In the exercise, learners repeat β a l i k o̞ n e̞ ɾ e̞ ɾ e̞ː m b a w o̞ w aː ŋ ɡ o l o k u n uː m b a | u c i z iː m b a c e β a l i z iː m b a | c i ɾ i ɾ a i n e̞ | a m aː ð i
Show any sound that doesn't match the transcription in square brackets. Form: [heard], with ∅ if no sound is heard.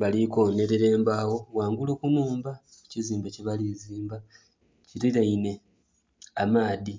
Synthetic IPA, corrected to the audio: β a l i k o̞ n e̞ ɾ e̞ ɾ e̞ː m b a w o̞ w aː ŋ ɡ [u] l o k u n uː m b a | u c i z iː m b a c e β a l i z iː m b a | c i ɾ i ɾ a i n e̞ | a m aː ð i